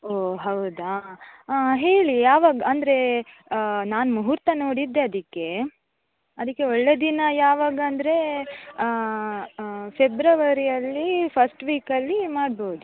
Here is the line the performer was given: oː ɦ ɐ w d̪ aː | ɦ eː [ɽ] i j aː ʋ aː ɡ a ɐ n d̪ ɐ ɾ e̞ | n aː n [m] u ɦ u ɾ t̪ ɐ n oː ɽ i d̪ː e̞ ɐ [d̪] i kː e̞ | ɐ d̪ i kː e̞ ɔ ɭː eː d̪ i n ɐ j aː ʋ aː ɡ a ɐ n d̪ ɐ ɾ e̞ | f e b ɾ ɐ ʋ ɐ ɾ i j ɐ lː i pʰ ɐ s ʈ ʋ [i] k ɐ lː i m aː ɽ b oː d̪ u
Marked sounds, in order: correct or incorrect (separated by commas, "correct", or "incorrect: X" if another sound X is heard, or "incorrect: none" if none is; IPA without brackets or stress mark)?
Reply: incorrect: ɭ, correct, correct, incorrect: iː